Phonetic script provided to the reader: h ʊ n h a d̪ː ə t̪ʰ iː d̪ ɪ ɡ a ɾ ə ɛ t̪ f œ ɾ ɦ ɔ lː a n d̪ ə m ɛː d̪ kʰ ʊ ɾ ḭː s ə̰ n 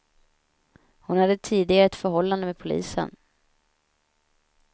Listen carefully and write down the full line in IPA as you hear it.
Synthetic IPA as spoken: h ʊ n h a d̪ː ə t̪ʰ iː d̪ ɪ ɡ a ɾ ə ɛ t̪ f œ ɾ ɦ ɔ lː a n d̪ ə m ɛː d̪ pʰ ʊ l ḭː s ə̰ n

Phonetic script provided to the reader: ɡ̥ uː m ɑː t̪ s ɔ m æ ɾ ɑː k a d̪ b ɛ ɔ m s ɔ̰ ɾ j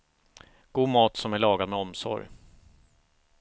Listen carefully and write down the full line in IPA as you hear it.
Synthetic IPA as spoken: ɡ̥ uː m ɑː t̪ s ɔ m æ ɭ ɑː ɡ a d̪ m ɛ ɔ m s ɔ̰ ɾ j

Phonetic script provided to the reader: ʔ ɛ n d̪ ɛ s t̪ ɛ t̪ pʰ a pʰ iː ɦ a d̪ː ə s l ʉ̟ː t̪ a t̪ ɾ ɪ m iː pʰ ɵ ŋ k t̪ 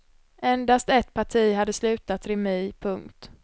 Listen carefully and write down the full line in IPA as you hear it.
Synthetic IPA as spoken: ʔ ɛ n d̪ a s t̪ ɛ t̪ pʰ a ʈʰ iː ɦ a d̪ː ə s l ʉ̟ː t̪ a t̪ ɾ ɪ m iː pʰ ɵ ŋ k t̪

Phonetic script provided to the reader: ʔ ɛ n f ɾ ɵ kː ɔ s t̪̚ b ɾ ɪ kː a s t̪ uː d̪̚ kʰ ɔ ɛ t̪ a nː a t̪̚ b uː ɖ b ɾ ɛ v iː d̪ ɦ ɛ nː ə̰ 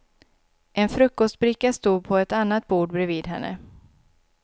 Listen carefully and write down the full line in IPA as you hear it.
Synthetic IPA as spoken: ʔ ɛ n f ɾ ɵ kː ɔ s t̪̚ b ɾ ɪ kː a s t̪ uː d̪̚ pʰ ɔ ɛ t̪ a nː a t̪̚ b uː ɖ b ɾ ɛ v iː d̪ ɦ ɛ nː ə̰

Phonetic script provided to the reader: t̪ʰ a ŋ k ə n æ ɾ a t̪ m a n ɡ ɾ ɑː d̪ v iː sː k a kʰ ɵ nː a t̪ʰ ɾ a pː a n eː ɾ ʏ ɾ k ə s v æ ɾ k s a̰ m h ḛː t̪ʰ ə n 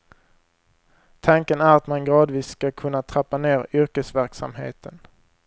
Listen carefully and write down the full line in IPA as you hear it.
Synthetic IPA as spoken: t̪ʰ a ŋ k ə n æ ɾ a t̪ m a n ɡ ɾ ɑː d̪ v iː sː k a kʰ ɵ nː a t̪ʰ ɾ a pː a n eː ɾ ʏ ɾ k ə s v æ ɾ k s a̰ m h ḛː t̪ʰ ə n

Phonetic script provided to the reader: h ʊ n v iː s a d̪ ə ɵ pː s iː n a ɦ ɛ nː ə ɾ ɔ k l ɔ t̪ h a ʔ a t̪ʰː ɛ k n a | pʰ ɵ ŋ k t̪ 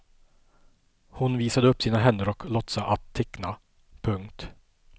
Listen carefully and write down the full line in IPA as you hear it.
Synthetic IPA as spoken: h ʊ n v iː s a d̪ ə ɵ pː s iː n a ɦ ɛ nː ə ɾ ɔ k l ɔ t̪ s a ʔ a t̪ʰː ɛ k n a | pʰ ɵ ŋ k t̪

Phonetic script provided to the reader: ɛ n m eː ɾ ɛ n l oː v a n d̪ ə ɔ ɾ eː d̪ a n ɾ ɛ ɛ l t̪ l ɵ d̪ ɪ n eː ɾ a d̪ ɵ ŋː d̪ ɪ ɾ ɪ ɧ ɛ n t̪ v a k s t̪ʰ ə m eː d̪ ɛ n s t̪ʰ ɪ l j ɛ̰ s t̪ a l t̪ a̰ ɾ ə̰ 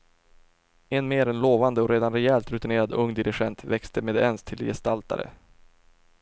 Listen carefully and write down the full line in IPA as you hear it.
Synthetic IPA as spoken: ɛ n m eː ɾ ɛ n l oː v a n d̪ ə ɔ ɾ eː d̪ a n ɾ ɛ ɛ l t̪ ɾ ɵ t̪ ɪ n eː ɾ a d̪ ɵ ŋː d̪ ɪ ɾ ɪ ɧ ɛ n t̪ v ɛ k s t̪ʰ ə m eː d̪ ɛ n s t̪ʰ ɪ l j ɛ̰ s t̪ a l t̪ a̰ ɾ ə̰

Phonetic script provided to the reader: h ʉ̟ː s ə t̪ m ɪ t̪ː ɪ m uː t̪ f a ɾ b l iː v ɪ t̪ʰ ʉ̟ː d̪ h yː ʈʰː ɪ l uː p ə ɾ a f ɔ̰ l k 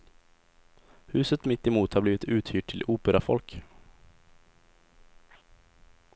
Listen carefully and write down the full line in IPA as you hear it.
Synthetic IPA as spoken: h ʉ̟ː s ə t̪ m ɪ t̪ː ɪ m uː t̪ h a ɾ b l iː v ɪ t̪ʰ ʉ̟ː t̪ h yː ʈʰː ɪ l uː p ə ɾ a f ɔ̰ l k

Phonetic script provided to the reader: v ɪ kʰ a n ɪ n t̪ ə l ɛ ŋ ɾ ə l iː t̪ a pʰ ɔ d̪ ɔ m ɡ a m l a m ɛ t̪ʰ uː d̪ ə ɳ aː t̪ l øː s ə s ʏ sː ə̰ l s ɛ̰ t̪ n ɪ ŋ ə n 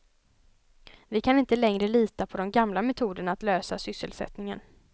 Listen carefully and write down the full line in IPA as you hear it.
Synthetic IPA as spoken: v ɪ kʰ a n ɪ n t̪ ə l ɛ ŋ ɾ ə l iː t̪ a pʰ ɔ d̪ ɔ m ɡ a m l a m ɛ t̪ʰ uː d̪ ə ɳ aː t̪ l øː s a s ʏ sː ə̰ l s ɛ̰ t̪ n ɪ ŋ ə n

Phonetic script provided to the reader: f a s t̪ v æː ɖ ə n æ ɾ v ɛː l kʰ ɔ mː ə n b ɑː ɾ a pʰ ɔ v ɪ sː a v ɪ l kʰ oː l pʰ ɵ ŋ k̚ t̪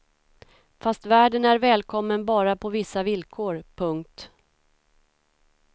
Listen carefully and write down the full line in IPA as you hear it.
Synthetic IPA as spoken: f a s t̪ v æː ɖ ə n æ ɾ v ɛː l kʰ ɔ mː ə n b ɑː ɾ a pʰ ɔ v ɪ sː a v ɪ l kʰ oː ɾ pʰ ɵ ŋ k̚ t̪

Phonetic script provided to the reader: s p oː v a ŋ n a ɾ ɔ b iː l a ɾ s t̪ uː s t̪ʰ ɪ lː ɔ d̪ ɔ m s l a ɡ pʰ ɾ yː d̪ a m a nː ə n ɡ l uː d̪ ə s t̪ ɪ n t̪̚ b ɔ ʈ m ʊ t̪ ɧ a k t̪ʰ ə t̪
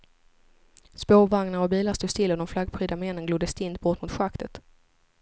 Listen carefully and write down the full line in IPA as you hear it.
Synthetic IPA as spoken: s p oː v a ŋ n a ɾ ɔ b iː l a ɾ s t̪ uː s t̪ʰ ɪ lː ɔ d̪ ɔ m f l a ɡ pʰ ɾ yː d̪ a m ɛ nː ə n ɡ l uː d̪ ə s t̪ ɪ n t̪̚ b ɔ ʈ m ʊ t̪ ɧ a k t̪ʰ ə t̪

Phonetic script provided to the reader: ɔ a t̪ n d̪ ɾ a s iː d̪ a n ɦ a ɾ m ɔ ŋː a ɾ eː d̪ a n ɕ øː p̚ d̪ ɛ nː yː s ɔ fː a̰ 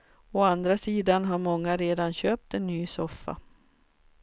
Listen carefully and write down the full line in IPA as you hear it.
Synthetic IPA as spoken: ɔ a n d̪ ɾ a s iː d̪ a n ɦ a ɾ m ɔ ŋː a ɾ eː d̪ a n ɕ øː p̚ t̪ ɛ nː yː s ɔ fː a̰

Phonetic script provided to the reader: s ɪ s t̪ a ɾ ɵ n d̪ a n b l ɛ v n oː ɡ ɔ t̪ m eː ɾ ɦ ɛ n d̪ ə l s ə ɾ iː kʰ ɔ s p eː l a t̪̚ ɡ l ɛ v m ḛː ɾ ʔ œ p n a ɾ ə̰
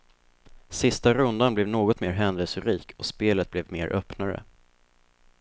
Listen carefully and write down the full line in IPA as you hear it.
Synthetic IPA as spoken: s ɪ s t̪ a ɾ ɵ n d̪ a n b l ɛ v n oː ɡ ɔ t̪ m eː ɾ ɦ ɛ n d̪ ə l s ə ɾ iː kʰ ɔ s p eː l ə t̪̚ b l ɛ v m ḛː ɾ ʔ œ p n a ɾ ə̰

